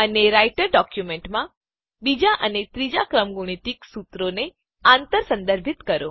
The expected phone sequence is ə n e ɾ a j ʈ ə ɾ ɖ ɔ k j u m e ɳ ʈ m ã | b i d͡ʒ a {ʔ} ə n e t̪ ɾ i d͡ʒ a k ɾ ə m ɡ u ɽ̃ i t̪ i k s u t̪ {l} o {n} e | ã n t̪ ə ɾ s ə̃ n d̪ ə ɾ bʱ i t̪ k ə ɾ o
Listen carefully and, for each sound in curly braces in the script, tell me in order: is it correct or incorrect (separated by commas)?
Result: correct, incorrect, correct